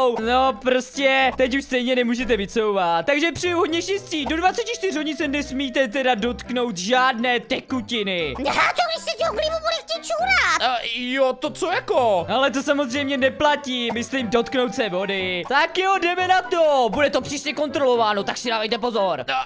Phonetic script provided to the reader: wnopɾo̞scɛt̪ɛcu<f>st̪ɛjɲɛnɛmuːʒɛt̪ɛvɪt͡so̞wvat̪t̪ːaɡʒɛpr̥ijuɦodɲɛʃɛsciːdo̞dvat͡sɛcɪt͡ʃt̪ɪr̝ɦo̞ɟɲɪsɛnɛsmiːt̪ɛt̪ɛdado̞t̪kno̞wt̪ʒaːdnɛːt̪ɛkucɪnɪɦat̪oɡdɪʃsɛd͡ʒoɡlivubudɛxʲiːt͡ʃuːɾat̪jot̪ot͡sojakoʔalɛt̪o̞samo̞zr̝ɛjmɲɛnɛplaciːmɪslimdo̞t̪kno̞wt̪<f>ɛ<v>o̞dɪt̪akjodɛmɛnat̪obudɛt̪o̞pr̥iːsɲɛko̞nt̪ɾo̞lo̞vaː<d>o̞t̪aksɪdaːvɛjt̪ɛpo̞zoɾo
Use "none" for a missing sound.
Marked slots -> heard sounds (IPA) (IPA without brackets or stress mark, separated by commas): ʃ, s, v, n